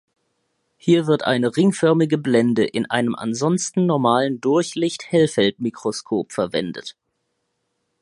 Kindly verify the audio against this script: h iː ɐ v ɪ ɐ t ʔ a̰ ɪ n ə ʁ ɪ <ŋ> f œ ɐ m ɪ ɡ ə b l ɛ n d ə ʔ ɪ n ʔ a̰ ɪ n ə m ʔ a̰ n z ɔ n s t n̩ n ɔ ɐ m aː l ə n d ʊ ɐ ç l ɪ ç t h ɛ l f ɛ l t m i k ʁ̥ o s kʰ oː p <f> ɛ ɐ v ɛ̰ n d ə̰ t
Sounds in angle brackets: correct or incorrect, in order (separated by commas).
correct, correct